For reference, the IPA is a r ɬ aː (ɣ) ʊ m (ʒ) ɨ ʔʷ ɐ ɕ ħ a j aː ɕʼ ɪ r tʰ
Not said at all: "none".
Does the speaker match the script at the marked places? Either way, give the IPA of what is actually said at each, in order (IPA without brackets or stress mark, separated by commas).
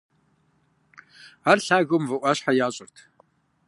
ɣ, v